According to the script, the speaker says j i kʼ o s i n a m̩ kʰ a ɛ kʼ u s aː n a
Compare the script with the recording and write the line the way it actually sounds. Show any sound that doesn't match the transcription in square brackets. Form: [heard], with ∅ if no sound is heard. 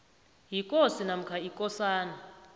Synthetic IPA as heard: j i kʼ o s i n a m̩ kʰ a [i] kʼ [ɔ] s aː n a